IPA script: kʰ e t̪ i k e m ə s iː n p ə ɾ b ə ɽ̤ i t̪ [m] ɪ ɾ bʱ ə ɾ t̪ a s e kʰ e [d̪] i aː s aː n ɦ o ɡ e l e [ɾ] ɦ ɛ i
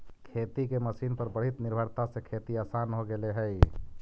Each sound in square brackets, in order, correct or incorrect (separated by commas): incorrect, incorrect, incorrect